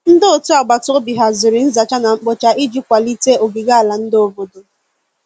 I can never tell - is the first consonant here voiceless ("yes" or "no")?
no